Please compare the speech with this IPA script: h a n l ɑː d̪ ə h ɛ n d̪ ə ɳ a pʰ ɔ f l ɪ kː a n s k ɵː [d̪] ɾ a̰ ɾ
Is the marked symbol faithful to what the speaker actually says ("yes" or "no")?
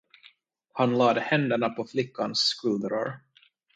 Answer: yes